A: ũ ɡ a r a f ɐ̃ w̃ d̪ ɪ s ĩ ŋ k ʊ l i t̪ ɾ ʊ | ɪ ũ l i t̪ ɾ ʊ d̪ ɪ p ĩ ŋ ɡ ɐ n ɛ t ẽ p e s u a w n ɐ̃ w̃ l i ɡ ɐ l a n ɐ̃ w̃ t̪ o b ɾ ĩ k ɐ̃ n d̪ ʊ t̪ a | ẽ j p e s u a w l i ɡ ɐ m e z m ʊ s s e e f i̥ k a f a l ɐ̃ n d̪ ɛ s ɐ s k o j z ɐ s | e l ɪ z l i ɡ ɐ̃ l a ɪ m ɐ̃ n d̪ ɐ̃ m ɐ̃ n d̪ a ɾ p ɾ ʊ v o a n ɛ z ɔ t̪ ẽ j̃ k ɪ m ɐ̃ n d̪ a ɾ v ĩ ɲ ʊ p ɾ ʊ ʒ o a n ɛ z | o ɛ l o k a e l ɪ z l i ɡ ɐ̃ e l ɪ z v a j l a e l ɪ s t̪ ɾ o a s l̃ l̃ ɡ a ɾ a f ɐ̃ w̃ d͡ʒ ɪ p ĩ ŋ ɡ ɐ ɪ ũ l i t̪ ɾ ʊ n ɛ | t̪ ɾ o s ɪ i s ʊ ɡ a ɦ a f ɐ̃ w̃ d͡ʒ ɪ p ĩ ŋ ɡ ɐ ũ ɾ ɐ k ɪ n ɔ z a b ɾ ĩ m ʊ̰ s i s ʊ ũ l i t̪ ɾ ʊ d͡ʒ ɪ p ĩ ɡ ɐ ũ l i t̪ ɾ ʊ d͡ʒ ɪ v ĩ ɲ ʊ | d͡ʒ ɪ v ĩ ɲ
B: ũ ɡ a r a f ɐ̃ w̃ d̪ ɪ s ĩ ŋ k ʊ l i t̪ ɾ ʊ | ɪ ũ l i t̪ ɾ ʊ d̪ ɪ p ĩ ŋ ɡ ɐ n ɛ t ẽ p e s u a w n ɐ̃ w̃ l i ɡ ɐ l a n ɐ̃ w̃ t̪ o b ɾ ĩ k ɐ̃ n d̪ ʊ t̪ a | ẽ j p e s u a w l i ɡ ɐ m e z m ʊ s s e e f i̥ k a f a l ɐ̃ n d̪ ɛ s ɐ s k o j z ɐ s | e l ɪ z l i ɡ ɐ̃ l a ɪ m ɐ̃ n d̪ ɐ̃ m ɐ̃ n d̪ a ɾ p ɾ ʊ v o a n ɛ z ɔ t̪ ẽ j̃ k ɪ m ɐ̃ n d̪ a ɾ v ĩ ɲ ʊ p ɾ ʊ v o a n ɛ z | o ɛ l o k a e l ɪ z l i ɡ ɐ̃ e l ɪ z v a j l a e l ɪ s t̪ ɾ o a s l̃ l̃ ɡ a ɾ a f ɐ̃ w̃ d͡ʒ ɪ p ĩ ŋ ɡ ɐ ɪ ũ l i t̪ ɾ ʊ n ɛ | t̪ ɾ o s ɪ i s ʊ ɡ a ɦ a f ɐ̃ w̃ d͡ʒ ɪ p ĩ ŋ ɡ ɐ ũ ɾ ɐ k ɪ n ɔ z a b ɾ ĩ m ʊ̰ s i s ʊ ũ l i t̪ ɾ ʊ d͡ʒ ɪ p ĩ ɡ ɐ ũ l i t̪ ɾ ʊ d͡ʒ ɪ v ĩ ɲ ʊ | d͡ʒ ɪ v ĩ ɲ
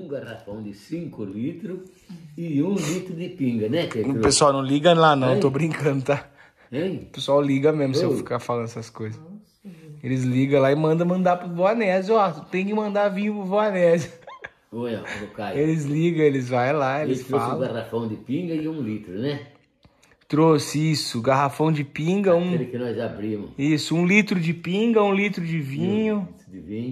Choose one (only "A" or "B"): B